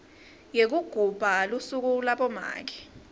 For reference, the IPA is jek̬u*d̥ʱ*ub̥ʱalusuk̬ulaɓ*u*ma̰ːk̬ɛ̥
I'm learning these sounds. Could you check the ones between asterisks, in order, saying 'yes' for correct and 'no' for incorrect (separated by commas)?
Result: no, no